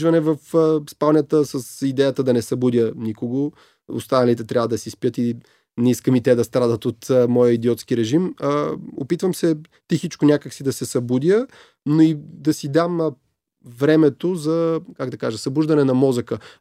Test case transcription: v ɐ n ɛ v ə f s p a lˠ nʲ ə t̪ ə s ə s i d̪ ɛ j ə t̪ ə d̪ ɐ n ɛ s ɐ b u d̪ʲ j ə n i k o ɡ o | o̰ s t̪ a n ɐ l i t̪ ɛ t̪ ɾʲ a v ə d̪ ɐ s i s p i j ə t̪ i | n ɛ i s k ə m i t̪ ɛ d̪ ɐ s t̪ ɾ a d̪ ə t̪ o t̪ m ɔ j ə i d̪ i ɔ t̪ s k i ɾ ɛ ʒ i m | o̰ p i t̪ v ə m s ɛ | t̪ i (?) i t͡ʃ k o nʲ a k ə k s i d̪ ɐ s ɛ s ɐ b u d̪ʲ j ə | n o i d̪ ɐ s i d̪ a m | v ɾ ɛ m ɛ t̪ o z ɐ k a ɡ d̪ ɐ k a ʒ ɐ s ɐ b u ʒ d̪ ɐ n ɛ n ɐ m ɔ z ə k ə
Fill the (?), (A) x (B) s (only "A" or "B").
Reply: A